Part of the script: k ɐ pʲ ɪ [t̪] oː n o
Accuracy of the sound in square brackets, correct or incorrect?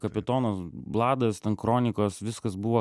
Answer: correct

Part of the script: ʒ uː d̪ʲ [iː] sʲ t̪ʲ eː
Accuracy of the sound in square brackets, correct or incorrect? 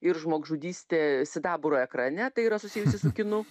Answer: correct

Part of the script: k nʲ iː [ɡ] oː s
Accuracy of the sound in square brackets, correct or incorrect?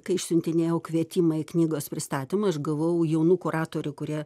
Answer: correct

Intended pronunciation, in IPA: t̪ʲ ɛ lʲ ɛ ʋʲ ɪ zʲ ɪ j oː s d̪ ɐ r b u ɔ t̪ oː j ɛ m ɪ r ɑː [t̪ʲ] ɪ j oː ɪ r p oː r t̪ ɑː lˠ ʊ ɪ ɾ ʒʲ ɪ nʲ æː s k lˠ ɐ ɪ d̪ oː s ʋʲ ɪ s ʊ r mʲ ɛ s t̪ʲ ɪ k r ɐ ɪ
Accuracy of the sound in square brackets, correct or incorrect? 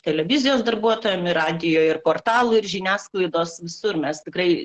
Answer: incorrect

